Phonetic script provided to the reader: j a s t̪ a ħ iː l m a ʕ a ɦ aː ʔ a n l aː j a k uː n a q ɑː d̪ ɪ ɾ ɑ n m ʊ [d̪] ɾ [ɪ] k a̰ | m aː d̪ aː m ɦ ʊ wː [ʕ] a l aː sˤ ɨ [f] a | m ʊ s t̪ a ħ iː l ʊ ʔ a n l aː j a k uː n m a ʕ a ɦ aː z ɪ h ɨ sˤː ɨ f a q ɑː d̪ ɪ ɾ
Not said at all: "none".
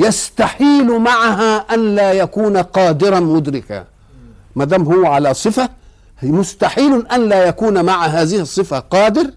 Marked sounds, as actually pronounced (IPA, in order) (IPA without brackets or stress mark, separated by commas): d̪, ɪ, ʕ, f